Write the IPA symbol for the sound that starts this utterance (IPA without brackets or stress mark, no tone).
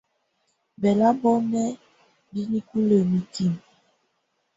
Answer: b